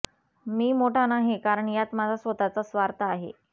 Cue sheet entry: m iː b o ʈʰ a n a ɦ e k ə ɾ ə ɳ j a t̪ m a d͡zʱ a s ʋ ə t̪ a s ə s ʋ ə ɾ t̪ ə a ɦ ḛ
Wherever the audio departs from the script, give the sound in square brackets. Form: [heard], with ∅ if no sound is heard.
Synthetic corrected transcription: m iː [m] o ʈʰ a n a ɦ e k [a] ɾ ə ɳ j a t̪ m a d͡zʱ a s ʋ ə t̪ a [t͡s] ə s ʋ [a] ɾ t̪ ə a ɦ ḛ